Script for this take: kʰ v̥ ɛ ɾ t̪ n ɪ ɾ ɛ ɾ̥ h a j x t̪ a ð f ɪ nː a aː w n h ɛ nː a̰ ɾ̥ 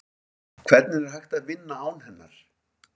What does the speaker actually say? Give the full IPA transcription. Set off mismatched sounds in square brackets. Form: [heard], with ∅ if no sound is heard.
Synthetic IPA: kʰ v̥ ɛ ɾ t̪ n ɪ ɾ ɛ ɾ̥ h a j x t̪ a ð [v] ɪ nː a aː w n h ɛ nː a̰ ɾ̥

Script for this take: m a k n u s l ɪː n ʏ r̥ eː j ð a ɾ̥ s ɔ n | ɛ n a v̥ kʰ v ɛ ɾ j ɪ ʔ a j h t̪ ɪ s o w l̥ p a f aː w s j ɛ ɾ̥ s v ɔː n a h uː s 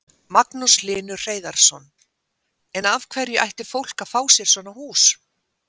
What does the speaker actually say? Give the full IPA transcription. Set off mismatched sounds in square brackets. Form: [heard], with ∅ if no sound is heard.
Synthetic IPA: m a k n u s l ɪː n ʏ r̥ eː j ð a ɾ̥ s ɔ n | ɛ n a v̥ kʰ v ɛ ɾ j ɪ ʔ a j h t̪ ɪ [f] o w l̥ [k] a f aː w s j ɛ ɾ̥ s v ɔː n a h uː s

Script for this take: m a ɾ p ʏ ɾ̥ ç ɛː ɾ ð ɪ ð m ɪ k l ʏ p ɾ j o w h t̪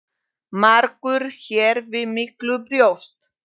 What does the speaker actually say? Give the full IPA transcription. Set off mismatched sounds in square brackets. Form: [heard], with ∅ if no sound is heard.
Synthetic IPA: m a ɾ [k] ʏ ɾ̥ ç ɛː ɾ [v] ɪ ð m ɪ k l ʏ p ɾ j o w [s] t̪

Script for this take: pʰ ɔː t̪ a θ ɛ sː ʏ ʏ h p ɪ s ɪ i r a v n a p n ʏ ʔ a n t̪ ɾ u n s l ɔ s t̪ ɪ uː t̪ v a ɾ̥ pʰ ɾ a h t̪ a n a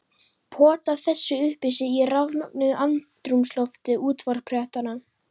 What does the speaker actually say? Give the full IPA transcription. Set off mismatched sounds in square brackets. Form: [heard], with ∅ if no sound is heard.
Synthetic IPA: pʰ ɔː t̪ a θ ɛ sː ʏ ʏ h p ɪ s ɪ i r a v n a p n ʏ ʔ a n t̪ ɾ u [m] s l ɔ [f] t̪ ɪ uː t̪ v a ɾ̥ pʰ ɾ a h t̪ a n a

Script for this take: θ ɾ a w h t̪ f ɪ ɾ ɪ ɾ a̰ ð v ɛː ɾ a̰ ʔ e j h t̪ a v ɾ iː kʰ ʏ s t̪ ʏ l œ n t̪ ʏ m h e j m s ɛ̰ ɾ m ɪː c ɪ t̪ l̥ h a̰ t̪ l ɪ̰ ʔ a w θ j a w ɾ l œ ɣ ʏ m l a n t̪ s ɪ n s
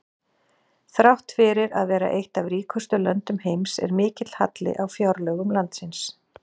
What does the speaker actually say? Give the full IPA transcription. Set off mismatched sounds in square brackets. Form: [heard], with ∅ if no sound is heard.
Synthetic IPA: θ ɾ a w h t̪ f ɪ ɾ ɪ ɾ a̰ ð v ɛː ɾ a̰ ʔ e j h t̪ a v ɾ iː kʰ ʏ s t̪ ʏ l œ n t̪ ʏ m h e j m s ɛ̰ ɾ m ɪː c ɪ t̪ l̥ h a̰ t̪ l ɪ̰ ʔ a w [f] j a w ɾ l œ ɣ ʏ m l a n t̪ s ɪ n s

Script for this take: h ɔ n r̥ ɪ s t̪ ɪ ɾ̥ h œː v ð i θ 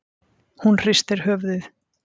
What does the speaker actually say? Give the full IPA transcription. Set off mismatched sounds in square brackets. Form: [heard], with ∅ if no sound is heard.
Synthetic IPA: h [u] n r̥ ɪ s t̪ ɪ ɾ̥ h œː v ð [ɪ] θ

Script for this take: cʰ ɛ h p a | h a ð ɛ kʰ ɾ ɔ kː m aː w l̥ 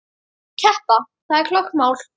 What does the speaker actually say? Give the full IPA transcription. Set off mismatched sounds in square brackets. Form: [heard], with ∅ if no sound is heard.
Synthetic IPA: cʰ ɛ h p a | [θ] a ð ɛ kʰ [l] ɔ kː m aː w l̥

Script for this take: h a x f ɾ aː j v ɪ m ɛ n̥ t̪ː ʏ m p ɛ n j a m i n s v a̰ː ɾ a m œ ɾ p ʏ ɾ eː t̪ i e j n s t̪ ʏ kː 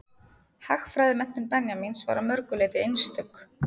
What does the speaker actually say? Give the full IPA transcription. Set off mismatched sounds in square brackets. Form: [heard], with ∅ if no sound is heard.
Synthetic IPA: h a x f ɾ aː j [ð] ɪ m ɛ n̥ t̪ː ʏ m p ɛ n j a m i n s v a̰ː ɾ a m œ ɾ [k] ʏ [l] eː t̪ [ɪ] e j n s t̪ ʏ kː

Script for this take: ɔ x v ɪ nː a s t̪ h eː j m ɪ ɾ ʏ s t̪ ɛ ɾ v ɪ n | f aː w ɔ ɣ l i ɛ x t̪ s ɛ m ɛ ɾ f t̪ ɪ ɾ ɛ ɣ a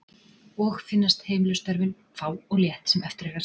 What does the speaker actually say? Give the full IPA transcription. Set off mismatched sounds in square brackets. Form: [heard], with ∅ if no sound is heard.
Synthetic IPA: ɔ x [f] ɪ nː a s t̪ h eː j m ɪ [l] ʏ s t̪ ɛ ɾ v ɪ n | f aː w ɔ ɣ l [j] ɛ [h] t̪ s ɛ m ɛ [∅] f t̪ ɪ ɾ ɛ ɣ a

